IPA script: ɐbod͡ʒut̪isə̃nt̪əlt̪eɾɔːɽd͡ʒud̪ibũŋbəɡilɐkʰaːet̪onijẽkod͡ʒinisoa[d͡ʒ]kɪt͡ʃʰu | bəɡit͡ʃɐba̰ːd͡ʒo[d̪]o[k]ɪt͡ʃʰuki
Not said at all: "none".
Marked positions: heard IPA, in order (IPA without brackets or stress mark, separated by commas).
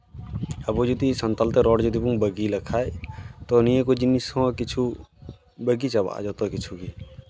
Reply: none, t̪, k